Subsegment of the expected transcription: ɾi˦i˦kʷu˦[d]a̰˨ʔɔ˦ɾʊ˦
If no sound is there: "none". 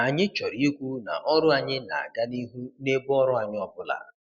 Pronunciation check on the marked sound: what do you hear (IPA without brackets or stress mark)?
n